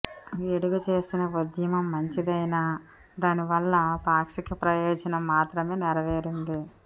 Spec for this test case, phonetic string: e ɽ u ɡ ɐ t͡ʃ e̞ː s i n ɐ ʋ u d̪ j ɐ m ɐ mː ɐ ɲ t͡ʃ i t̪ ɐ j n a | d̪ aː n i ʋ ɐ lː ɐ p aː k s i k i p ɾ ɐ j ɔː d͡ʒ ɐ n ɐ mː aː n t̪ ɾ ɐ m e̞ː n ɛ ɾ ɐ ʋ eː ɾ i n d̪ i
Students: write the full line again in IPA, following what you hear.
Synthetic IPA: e ɽ u ɡ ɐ t͡ʃ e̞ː s i n ɐ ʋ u d̪ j ɐ m ɐ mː ɐ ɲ t͡ʃ i d̪ ɐ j n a | d̪ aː n i ʋ ɐ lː ɐ p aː k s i k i p ɾ ɐ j ɔː d͡ʒ ɐ n ɐ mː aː t̪ ɾ ɐ m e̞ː n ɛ ɾ ɐ ʋ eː ɾ i n d̪ i